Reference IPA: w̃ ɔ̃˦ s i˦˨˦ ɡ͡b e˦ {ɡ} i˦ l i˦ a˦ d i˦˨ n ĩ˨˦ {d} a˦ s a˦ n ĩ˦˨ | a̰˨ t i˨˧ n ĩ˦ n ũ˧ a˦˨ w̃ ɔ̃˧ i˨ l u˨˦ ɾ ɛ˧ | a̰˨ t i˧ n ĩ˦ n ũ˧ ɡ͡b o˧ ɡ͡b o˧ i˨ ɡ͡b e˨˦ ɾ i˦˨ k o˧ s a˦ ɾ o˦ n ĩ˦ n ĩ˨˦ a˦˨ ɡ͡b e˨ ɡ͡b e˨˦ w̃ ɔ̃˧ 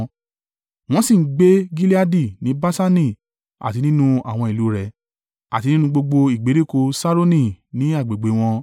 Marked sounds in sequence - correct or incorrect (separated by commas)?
correct, incorrect